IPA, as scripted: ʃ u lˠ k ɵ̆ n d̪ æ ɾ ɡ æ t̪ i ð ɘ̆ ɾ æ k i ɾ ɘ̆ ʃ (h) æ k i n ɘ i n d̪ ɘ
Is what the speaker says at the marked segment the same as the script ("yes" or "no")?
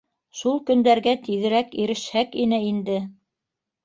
yes